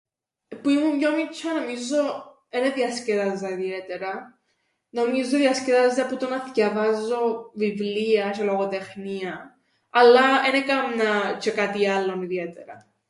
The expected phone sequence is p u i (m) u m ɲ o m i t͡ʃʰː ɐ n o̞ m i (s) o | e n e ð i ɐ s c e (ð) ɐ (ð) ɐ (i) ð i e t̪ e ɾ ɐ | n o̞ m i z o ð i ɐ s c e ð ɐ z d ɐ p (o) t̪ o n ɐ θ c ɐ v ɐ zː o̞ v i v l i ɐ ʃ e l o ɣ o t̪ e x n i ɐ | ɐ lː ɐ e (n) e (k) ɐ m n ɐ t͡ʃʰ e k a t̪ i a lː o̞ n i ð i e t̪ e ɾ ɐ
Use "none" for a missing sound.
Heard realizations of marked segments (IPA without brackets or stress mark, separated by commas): m, z, ð, z, i, u, n, k